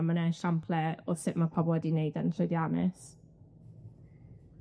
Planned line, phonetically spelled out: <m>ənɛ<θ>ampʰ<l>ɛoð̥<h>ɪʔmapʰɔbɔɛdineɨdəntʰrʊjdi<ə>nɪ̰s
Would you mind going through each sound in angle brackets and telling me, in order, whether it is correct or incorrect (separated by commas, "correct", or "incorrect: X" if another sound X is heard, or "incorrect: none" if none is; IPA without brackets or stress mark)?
correct, incorrect: ʃ, correct, incorrect: s, incorrect: a